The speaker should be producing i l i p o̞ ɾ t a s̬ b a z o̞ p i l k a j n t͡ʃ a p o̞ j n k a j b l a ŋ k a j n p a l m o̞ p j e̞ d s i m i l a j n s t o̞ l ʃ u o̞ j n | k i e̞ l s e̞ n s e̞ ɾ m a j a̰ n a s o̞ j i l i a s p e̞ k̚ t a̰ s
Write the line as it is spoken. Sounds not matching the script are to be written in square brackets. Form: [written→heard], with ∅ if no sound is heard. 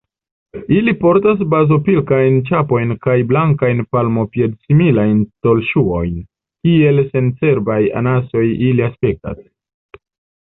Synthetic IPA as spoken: i l i p o̞ ɾ t a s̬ b a z o̞ p i l k a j n t͡ʃ a p o̞ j n k a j b l a ŋ k a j n p a l m o̞ p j e̞ d s i m i l a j n s t o̞ l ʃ u o̞ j n | k i e̞ l s e̞ n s e̞ ɾ [m→b] a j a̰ n a s o̞ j i l i a s p e̞ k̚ t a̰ s